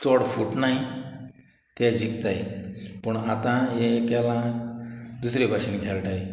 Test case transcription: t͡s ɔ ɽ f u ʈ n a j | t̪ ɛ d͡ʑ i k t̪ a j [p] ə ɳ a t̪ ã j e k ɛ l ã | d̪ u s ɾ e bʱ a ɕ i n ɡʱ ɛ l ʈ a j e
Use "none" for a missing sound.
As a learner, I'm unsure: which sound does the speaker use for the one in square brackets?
p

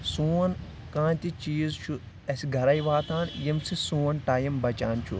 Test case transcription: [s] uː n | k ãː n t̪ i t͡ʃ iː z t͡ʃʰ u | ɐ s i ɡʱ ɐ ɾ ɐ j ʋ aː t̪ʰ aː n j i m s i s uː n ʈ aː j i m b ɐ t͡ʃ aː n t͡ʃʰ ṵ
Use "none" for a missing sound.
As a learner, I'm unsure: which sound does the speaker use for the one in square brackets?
s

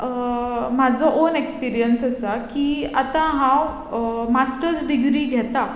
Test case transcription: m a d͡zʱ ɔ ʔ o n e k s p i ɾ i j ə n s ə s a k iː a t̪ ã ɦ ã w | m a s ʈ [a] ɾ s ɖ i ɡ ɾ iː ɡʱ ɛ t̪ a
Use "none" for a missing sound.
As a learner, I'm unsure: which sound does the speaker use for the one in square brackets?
ə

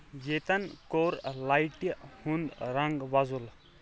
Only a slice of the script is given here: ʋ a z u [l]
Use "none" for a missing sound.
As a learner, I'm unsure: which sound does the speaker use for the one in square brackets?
l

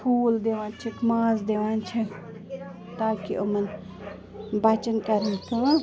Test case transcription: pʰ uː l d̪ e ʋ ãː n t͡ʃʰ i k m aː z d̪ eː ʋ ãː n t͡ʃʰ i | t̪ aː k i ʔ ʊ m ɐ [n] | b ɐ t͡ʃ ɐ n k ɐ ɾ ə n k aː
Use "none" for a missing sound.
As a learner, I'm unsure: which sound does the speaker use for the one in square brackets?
n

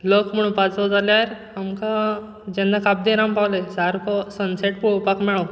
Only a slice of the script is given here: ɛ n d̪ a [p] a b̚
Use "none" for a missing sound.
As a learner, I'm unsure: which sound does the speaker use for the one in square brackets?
k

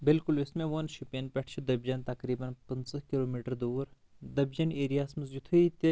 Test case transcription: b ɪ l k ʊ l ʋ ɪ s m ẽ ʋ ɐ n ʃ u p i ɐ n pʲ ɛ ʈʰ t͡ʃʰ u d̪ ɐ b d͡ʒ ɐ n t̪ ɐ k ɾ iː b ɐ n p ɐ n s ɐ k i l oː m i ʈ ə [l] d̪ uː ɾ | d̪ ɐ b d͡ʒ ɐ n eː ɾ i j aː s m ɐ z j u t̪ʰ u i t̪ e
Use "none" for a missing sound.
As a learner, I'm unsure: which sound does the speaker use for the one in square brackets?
ɾ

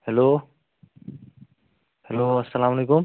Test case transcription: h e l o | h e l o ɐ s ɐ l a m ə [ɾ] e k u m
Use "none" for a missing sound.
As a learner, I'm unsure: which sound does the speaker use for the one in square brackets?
l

